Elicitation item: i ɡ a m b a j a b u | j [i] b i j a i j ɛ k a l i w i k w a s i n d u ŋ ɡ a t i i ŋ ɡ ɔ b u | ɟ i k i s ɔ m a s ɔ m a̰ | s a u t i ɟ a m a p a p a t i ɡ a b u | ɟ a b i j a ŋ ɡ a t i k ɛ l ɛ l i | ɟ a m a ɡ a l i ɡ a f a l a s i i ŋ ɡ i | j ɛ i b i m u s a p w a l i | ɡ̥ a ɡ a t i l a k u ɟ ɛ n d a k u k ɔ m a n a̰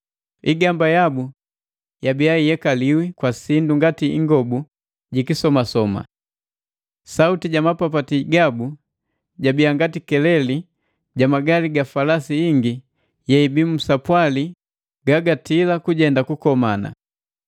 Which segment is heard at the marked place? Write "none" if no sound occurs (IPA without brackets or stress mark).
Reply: a